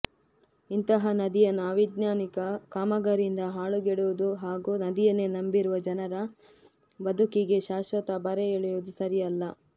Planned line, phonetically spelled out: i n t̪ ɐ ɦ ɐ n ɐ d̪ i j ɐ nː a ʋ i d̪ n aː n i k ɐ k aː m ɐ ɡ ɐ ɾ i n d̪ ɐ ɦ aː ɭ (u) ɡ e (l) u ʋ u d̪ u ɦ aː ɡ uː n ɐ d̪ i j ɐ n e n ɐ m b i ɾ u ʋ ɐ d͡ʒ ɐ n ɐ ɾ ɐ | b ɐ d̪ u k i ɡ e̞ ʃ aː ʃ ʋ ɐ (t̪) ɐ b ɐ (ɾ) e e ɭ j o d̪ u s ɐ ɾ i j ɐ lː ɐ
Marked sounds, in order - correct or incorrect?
correct, incorrect, correct, correct

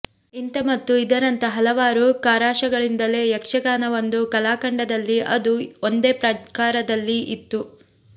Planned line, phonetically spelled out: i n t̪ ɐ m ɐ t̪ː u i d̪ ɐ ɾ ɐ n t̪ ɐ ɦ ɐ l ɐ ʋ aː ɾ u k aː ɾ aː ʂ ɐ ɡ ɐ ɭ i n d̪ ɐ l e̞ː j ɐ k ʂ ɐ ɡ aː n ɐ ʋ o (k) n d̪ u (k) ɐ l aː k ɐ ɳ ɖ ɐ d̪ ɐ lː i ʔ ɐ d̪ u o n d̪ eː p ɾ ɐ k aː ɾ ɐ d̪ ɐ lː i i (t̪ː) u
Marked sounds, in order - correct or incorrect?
incorrect, correct, correct

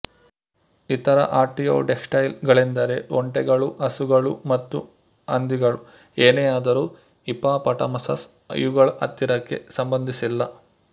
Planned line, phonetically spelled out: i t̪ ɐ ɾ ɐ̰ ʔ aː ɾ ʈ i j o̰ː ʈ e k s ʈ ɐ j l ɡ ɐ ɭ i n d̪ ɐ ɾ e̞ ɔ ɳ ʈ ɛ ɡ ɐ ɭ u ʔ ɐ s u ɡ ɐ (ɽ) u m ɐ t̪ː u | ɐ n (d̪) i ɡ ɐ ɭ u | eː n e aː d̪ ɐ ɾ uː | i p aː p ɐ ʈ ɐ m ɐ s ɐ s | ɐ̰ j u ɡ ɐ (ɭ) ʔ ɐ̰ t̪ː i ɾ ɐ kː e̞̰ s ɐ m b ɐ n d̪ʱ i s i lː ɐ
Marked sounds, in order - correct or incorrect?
incorrect, correct, correct

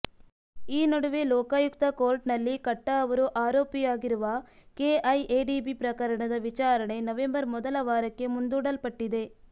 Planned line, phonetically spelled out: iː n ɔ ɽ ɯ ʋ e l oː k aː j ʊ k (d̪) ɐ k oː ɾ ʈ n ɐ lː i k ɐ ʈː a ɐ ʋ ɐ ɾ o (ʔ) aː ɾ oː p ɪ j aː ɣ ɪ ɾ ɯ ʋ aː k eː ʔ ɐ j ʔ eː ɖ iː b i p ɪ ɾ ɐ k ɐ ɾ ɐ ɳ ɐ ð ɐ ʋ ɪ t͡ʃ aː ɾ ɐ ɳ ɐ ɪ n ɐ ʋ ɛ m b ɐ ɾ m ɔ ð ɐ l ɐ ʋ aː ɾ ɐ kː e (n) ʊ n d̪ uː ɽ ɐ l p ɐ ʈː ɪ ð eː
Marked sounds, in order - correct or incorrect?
incorrect, correct, incorrect

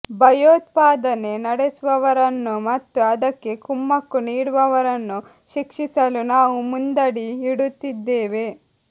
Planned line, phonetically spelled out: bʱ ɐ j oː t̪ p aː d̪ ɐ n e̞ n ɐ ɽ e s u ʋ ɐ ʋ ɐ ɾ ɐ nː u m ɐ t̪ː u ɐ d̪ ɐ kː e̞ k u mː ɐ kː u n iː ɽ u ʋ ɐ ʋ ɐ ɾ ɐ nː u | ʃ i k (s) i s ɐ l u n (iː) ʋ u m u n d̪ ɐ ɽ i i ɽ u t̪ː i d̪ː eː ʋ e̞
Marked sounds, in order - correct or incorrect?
incorrect, incorrect

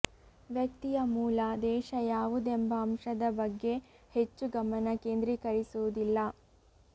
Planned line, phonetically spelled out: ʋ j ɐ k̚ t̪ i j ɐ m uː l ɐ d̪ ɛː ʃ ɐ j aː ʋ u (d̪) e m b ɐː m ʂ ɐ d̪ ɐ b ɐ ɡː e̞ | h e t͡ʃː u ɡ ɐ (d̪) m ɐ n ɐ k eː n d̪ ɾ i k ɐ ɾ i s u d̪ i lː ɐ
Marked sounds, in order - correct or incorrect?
correct, incorrect

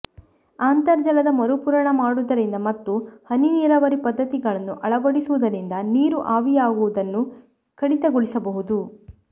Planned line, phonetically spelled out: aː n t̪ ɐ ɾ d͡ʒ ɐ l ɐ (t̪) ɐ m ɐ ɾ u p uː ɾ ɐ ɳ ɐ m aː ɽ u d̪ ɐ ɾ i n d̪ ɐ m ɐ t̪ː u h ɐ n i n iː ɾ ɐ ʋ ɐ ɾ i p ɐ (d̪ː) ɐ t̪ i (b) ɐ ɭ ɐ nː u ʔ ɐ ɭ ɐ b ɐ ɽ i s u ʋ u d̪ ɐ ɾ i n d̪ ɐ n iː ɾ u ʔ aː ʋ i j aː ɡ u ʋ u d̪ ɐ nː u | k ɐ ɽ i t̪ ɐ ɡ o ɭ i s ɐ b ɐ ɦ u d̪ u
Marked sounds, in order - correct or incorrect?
incorrect, correct, incorrect

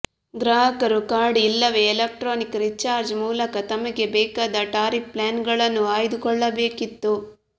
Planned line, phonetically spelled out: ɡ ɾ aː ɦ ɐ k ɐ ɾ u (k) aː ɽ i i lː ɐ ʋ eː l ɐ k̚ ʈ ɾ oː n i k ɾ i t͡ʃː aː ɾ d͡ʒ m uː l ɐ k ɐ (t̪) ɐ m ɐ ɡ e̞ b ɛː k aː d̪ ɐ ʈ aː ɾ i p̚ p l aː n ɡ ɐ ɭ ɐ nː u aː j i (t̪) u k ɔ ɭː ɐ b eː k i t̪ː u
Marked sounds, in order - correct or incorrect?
correct, correct, incorrect

